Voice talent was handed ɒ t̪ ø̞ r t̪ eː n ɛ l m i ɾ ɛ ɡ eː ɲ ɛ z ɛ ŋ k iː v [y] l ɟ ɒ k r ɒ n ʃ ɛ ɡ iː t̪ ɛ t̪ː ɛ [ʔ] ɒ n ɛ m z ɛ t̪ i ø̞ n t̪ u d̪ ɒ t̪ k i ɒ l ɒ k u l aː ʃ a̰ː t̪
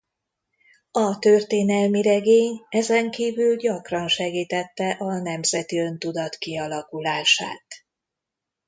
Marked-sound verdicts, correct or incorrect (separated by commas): correct, correct